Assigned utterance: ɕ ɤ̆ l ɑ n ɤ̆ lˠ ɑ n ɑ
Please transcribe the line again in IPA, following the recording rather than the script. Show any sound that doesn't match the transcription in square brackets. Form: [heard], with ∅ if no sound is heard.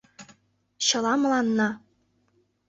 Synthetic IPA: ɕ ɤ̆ l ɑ [m] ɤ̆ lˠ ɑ [nː] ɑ